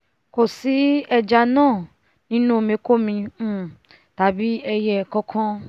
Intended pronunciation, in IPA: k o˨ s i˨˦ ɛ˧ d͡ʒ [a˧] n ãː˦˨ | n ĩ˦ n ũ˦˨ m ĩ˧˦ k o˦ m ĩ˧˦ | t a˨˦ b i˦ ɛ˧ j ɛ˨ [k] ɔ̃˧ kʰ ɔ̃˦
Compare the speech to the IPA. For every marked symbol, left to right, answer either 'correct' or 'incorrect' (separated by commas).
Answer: correct, correct